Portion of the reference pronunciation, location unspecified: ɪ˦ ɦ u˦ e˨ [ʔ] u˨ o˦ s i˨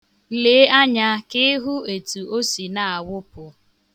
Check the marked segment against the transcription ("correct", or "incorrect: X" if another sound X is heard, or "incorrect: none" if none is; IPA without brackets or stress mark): incorrect: t